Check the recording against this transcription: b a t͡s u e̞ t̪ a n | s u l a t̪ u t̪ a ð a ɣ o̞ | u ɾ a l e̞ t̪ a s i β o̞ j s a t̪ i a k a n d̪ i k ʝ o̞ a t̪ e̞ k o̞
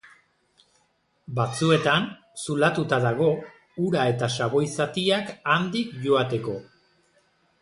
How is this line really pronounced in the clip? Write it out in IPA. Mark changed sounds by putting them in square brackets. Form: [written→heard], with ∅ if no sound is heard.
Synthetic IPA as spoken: b a t͡s u e̞ t̪ a n | s u l a t̪ u t̪ a ð a ɣ o̞ | u ɾ a [l→∅] e̞ t̪ a s [i→a] β o̞ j s a t̪ i a k a n d̪ i k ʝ o̞ a t̪ e̞ k o̞